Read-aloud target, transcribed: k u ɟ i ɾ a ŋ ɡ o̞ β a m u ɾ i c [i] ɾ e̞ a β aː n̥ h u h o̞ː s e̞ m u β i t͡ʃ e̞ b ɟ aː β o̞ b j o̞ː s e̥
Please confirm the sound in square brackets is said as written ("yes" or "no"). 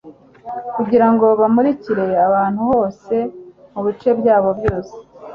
yes